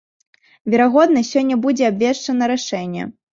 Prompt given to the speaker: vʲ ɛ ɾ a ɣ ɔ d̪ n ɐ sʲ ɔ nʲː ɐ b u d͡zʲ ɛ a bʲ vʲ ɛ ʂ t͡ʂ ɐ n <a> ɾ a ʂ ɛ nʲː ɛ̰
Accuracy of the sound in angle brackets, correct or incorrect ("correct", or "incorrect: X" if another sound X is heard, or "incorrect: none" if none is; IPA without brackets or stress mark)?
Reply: incorrect: ɐ